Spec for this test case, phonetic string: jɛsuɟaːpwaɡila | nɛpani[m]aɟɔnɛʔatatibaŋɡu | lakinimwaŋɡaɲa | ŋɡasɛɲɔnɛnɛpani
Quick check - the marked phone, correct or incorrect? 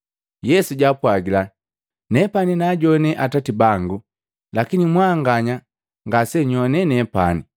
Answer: incorrect